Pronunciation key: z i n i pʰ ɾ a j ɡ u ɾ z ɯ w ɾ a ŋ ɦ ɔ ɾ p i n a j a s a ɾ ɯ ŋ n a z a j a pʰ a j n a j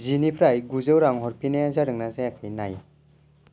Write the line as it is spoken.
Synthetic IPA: z i n i pʰ ɾ a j ɡ u z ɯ w ɾ a ŋ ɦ ɔ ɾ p i n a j a z a ɾ ɯ ŋ n a z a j a kʰ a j n a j